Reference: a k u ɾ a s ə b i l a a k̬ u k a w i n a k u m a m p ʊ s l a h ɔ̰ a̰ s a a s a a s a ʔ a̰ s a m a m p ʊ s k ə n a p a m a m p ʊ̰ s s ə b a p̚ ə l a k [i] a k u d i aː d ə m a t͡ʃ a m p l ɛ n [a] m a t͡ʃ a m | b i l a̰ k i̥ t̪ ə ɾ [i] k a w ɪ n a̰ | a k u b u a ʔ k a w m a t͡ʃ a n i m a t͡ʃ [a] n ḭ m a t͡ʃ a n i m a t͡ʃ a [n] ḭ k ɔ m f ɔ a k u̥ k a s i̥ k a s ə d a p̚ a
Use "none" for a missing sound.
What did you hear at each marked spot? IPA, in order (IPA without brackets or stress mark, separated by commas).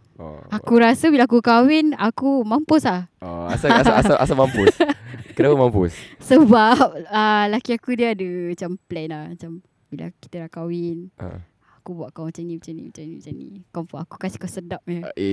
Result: i, a, a, a, n